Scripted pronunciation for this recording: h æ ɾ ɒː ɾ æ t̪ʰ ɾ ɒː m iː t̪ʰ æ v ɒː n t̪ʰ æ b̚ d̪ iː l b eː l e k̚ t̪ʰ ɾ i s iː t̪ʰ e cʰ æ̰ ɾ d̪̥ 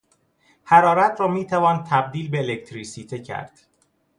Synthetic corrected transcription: h æ ɾ ɒː ɾ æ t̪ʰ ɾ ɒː m iː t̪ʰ æ v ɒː n t̪ʰ æ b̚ d̪ iː l b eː l e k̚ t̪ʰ ɾ i s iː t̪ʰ e cʰ æ̰ ɾ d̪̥